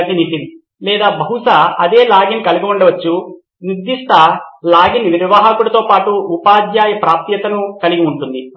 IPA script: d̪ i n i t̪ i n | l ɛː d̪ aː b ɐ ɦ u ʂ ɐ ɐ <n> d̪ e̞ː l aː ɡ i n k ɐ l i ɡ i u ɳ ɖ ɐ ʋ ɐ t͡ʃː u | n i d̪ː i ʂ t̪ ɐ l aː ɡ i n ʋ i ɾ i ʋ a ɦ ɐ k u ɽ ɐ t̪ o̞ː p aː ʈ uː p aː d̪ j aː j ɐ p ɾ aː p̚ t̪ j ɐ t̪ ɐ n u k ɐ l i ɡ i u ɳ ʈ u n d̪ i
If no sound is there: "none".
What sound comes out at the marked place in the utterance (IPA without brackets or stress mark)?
none